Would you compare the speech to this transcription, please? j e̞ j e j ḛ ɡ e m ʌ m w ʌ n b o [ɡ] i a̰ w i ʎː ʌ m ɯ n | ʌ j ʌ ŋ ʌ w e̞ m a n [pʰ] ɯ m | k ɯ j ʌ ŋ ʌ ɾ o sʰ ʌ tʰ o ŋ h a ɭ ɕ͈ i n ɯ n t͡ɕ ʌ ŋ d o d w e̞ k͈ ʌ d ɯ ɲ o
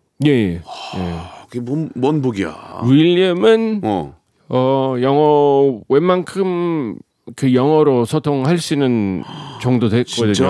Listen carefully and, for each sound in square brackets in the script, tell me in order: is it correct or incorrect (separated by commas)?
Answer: correct, incorrect